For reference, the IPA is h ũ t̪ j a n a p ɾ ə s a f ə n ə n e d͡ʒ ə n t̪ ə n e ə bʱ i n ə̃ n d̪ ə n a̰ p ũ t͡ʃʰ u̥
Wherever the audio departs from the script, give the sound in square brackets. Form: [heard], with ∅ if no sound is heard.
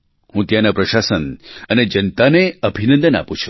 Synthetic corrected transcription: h ũ t̪ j a n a p ɾ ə [ʃ] a [s] ə n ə n e d͡ʒ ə n t̪ [a] n e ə bʱ i n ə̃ n d̪ ə n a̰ p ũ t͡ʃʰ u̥